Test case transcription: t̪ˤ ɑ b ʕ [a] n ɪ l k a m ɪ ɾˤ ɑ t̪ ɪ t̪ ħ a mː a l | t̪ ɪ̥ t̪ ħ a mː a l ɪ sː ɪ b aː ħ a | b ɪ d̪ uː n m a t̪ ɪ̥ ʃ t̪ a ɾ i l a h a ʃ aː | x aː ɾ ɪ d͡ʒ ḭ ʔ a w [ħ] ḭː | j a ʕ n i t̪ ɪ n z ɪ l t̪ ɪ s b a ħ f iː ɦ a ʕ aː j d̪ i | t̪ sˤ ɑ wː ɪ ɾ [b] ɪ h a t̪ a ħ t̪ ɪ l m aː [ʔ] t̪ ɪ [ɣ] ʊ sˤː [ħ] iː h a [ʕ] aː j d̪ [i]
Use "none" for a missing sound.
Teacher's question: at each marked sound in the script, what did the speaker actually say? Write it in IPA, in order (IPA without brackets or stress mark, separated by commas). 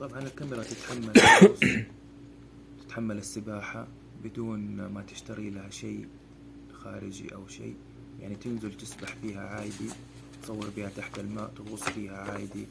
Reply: ɑ, ʃ, b, ʔ, ɣ, f, ʕ, i